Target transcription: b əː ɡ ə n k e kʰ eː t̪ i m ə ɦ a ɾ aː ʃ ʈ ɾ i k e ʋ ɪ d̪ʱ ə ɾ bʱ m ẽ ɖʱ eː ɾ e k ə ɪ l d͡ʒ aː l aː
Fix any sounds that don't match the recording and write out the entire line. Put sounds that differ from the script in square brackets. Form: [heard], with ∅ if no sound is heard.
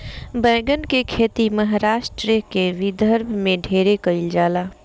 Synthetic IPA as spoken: b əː ɡ ə n k e kʰ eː t̪ i m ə ɦ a ɾ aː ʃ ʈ ɾ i k e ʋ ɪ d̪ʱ ə ɾ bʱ m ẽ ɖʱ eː ɾ e k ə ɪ l d͡ʒ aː l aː